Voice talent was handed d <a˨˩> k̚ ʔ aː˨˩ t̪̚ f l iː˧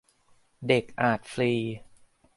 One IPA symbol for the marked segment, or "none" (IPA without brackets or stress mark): e˨˩